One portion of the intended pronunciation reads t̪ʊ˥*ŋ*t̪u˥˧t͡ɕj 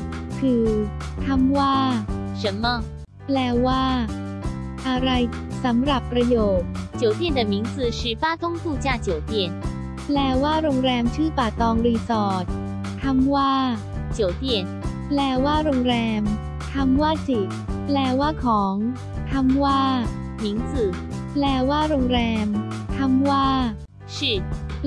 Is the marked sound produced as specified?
yes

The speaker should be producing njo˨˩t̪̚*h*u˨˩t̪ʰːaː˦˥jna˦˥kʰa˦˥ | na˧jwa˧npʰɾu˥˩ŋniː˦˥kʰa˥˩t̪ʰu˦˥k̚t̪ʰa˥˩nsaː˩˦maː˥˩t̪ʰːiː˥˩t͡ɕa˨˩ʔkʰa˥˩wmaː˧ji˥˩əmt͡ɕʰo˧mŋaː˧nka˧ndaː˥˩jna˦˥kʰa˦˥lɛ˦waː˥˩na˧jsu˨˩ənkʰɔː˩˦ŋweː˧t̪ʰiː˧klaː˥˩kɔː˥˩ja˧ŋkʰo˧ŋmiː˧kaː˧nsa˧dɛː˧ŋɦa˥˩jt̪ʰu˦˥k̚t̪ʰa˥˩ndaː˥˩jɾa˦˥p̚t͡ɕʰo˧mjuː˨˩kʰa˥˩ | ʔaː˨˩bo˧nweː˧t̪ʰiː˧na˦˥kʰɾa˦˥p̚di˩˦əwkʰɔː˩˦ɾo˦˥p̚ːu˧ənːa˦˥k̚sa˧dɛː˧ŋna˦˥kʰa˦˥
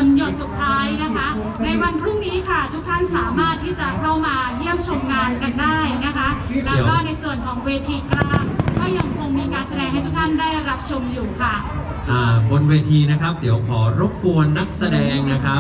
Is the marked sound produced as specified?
no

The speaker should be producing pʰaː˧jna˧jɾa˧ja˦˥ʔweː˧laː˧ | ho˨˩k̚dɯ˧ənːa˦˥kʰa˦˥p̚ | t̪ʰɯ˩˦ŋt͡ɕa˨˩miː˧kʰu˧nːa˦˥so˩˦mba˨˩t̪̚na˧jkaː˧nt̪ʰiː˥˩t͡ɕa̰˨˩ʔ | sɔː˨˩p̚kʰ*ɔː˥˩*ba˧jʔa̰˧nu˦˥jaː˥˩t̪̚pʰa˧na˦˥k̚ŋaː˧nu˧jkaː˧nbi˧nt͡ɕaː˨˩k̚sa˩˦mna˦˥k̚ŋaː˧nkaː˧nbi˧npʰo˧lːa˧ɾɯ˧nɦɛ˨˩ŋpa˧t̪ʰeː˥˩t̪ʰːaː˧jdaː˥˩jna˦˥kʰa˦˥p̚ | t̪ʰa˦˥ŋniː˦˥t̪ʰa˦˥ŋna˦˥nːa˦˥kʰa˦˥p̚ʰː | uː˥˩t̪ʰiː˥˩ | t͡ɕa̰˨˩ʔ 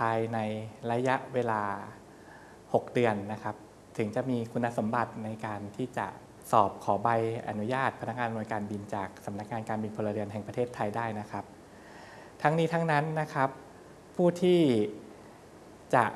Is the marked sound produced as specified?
no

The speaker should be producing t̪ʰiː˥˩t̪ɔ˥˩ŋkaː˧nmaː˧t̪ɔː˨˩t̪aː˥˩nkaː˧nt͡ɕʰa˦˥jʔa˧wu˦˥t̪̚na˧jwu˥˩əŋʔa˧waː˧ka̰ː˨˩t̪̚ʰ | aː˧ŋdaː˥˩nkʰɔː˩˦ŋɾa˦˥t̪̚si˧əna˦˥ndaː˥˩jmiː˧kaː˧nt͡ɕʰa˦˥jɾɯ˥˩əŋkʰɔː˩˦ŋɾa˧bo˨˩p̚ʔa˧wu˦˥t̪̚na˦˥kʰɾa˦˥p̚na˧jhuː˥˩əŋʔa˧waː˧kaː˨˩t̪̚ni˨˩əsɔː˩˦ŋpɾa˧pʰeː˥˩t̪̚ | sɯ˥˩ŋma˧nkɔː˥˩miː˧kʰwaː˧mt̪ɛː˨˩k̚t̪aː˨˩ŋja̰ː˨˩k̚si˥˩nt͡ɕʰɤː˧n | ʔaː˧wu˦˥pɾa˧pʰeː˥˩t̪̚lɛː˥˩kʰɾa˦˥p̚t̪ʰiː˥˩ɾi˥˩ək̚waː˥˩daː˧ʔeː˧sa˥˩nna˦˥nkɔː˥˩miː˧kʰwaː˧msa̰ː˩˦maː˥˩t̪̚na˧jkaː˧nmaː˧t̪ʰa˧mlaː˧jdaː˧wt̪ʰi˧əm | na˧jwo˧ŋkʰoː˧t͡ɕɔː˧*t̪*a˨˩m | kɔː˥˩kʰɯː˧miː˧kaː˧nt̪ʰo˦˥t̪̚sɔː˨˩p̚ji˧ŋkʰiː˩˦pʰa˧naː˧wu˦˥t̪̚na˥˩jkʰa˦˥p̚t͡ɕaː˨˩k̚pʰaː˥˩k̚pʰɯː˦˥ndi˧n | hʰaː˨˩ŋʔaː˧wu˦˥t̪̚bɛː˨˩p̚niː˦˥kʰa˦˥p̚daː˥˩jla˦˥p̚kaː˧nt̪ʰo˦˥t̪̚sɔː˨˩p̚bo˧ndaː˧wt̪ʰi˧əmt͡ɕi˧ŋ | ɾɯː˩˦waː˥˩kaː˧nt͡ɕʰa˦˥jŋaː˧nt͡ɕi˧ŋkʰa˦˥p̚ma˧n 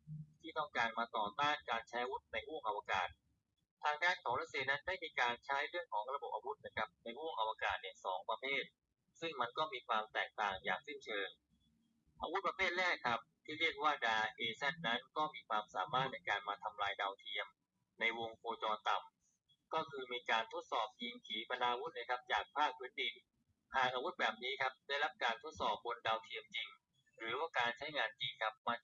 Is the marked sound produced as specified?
yes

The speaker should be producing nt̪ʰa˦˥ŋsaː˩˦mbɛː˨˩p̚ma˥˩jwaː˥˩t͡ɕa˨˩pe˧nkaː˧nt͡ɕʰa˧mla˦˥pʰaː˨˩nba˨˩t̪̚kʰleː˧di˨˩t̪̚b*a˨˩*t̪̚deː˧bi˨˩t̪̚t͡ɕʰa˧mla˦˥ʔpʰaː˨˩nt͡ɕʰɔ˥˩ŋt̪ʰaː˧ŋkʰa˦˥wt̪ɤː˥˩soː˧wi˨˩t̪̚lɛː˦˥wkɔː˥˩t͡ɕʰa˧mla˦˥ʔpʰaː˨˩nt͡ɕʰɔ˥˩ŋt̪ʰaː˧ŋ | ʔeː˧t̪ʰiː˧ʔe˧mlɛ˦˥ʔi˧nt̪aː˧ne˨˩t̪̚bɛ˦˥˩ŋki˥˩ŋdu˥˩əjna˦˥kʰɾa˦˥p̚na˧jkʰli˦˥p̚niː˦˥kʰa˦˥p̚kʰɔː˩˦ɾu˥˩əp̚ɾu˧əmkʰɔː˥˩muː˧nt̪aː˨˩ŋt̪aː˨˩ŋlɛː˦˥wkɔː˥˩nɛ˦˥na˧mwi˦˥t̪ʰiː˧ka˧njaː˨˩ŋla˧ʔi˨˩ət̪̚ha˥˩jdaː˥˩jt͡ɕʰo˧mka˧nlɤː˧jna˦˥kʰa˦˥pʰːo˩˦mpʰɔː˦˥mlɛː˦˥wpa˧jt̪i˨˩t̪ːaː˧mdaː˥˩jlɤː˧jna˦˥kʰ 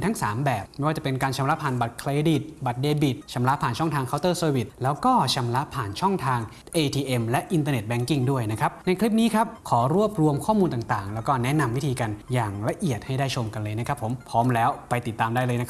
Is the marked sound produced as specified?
yes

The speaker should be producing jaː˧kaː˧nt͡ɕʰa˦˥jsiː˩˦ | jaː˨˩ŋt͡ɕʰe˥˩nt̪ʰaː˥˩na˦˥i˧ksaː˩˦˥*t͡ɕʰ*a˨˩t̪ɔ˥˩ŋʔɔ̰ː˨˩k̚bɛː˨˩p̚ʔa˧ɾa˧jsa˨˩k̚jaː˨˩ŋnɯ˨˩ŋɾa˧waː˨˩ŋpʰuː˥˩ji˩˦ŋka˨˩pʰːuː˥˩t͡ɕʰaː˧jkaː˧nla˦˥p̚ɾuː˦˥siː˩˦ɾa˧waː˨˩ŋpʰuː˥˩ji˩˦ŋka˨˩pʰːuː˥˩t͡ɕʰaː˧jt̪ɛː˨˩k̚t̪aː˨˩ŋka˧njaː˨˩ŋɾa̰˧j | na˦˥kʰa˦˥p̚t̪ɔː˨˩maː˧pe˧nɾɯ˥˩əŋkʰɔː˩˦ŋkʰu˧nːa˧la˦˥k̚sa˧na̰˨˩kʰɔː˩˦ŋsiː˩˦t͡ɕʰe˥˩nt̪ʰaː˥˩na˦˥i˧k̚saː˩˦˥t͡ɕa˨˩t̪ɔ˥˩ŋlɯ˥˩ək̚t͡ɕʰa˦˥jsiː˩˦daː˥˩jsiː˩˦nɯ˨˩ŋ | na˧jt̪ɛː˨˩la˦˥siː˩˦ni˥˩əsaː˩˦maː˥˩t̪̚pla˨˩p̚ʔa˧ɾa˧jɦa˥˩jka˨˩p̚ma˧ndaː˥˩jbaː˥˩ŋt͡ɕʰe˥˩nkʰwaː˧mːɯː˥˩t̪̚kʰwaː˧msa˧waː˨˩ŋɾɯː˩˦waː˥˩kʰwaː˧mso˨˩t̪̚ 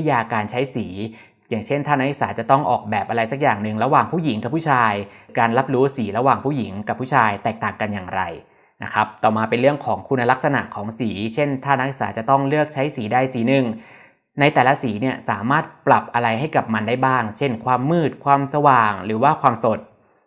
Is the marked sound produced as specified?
no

